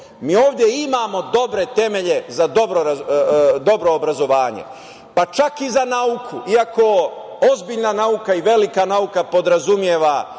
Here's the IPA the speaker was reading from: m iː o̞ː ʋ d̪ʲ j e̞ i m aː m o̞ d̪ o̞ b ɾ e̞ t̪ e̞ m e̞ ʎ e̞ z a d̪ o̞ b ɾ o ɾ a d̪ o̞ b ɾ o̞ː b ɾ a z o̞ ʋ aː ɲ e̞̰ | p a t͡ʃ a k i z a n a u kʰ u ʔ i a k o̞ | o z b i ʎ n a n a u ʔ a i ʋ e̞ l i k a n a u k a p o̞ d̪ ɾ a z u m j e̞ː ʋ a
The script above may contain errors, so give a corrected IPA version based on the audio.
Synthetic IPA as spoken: m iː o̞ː ʋ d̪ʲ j e̞ i m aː m o̞ d̪ o̞ b ɾ e̞ t̪ e̞ m e̞ ʎ e̞ z a d̪ o̞ b ɾ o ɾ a d̪ o̞ b ɾ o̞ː b ɾ a z o̞ ʋ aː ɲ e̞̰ | p a t͡ʃ a k i z a n a u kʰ u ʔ i a k o̞ | o z b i ʎ n a n a u k a i ʋ e̞ l i k a n a u k a p o̞ d̪ ɾ a z u m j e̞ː ʋ a